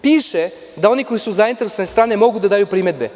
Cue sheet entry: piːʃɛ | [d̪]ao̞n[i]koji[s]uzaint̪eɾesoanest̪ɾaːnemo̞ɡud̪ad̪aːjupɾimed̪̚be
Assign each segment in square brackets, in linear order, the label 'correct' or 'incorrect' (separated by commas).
correct, correct, correct